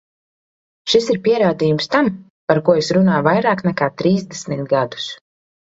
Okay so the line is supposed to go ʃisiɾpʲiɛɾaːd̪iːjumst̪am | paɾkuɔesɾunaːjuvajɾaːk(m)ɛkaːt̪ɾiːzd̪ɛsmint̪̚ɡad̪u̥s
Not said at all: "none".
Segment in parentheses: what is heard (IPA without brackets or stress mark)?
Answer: n